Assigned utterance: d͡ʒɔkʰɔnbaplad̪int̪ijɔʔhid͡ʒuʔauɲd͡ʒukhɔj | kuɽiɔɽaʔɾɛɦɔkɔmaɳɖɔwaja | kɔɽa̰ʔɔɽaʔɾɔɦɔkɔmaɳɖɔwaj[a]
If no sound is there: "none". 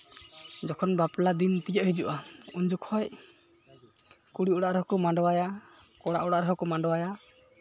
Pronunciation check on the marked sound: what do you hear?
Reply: a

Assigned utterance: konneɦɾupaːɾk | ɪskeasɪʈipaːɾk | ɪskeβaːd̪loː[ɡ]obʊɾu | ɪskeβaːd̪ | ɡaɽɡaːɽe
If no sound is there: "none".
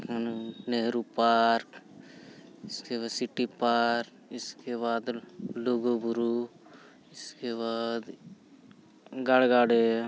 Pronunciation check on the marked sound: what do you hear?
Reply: ɡ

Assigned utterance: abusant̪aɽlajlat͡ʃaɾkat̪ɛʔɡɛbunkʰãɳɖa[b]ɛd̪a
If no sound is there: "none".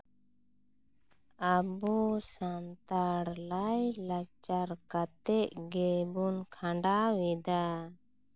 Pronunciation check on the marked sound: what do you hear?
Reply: w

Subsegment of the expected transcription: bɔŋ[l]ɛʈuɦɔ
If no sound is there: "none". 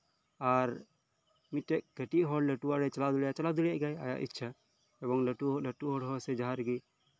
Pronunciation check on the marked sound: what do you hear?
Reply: l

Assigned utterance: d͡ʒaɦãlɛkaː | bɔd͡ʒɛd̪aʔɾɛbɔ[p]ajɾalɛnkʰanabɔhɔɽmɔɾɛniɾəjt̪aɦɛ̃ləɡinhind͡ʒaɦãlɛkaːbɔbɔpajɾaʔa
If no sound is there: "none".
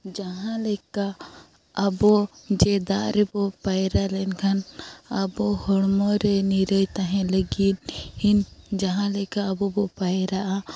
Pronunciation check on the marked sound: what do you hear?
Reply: p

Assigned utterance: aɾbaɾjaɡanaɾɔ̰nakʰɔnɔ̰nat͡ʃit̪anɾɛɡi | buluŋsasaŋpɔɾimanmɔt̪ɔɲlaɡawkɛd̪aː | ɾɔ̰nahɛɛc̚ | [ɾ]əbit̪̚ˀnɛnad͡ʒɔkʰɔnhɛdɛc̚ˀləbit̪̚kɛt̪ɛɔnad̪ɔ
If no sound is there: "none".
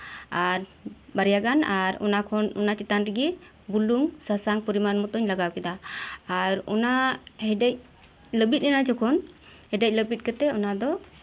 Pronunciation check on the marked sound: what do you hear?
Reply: l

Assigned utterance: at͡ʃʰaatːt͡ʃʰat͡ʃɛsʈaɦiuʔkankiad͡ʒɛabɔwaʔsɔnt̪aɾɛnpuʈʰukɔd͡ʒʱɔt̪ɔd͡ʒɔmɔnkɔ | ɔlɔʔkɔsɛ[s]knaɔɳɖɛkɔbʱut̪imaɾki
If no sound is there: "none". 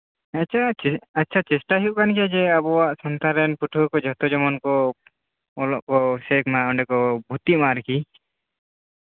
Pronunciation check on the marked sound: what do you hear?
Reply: none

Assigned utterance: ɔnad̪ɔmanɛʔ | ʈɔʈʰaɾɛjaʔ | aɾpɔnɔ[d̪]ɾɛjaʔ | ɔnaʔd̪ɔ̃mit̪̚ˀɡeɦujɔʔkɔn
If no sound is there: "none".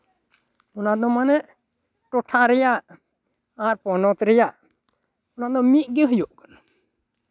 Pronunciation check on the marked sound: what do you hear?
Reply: t̪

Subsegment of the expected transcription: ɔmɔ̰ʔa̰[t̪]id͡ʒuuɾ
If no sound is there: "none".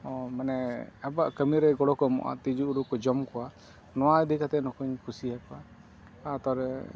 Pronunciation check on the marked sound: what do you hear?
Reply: t̪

